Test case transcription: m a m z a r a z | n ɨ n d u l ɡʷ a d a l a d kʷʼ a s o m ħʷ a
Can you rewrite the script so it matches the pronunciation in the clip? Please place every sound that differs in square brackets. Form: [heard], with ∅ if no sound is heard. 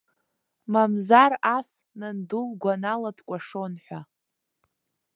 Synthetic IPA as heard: m a m z a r a [s] | n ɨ n d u l ɡʷ a [n] a l a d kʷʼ a [ʂ] o [n] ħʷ a